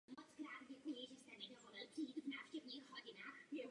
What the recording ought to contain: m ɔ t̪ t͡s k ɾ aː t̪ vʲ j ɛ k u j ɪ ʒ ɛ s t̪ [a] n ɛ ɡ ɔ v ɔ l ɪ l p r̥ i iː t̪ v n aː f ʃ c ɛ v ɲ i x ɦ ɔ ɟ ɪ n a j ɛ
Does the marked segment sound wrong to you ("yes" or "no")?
yes